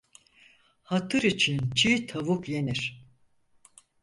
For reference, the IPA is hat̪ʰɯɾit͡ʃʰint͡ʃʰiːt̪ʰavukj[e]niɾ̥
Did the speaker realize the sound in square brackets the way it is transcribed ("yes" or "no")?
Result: yes